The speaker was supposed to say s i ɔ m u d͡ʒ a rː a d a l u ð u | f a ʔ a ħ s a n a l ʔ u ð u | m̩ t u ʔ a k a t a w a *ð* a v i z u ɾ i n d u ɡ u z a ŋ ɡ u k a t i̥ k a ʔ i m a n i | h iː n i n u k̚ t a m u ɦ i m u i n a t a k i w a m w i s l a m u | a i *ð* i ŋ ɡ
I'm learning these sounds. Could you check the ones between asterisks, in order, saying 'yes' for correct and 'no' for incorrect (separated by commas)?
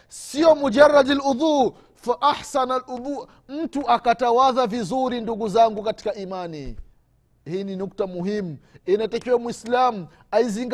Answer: yes, no